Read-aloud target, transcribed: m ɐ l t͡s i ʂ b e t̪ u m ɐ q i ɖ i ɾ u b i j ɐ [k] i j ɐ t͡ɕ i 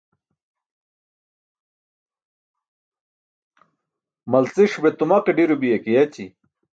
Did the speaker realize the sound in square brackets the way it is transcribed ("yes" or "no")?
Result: yes